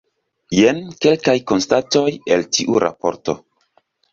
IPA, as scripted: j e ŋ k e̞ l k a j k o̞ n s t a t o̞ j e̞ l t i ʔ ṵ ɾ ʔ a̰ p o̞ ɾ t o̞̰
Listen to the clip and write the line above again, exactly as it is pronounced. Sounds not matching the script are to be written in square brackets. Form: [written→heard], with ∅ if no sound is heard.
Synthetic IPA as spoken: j e [ŋ→n] k e̞ l k a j k o̞ n s t a t o̞ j e̞ l t i ʔ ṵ ɾ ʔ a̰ p o̞ ɾ t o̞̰